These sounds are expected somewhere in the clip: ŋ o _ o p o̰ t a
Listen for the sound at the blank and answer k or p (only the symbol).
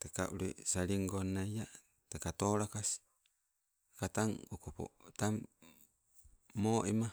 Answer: k